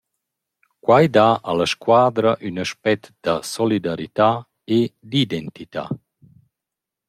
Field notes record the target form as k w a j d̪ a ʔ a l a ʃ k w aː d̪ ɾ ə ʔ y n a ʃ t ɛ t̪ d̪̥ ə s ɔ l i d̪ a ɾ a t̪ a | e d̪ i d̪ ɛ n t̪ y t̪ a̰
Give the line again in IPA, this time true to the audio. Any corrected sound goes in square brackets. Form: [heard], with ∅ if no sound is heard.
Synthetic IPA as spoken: k w a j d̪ a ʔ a l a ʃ k w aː d̪ ɾ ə ʔ y n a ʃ [p] ɛ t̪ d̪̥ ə s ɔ l i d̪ a ɾ [i] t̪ a | e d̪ i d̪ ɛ n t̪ [i] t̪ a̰